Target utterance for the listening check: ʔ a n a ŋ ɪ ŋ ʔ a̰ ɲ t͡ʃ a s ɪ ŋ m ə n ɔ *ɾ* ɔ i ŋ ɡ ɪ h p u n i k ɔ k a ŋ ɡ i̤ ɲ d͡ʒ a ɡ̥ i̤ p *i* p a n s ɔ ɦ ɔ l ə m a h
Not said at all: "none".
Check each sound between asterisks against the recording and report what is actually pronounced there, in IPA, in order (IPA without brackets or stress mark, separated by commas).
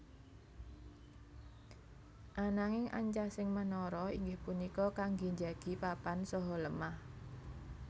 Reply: ɾ, a